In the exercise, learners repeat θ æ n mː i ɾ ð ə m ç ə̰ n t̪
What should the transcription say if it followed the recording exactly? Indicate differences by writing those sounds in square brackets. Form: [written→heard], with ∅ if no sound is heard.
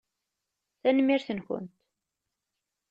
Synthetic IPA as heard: θ æ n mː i ɾ [ð→θ] ə [m→n] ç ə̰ n t̪